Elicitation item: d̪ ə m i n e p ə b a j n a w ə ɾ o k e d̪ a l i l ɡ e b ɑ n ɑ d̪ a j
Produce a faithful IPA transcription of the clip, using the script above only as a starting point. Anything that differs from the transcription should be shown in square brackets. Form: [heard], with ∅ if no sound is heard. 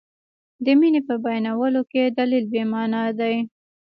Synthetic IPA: d̪ ə m i n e p ə b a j n a w ə [l] o k e d̪ a l i l [b] e [m] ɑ n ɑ d̪ a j